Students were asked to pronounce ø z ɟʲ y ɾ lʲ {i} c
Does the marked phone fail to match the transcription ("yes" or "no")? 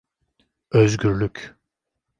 yes